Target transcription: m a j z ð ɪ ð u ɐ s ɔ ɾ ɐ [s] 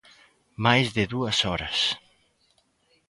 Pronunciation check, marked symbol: correct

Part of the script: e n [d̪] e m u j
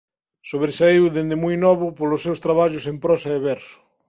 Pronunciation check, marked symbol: correct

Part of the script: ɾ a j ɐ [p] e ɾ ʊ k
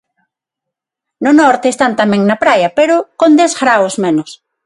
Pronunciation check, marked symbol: correct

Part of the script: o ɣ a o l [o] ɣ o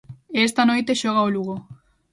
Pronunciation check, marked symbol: incorrect: u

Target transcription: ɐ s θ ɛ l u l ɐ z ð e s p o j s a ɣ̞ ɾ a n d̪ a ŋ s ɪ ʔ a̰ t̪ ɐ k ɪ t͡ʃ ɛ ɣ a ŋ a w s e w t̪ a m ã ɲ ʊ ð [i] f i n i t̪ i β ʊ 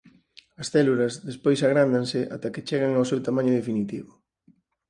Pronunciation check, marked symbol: incorrect: e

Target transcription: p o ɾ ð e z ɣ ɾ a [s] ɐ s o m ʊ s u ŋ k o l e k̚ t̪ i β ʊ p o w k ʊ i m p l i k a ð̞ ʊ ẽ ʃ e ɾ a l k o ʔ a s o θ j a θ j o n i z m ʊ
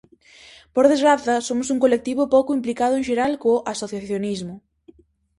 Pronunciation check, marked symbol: incorrect: θ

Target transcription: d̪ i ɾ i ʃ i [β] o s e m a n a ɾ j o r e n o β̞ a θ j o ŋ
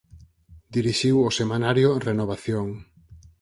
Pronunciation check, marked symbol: incorrect: w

